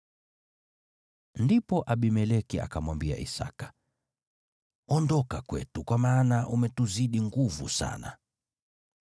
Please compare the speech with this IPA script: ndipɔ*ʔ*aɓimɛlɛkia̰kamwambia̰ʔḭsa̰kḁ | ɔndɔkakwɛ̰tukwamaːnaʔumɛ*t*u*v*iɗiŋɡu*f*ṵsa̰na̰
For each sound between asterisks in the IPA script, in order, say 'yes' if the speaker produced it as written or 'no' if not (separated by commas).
yes, yes, no, no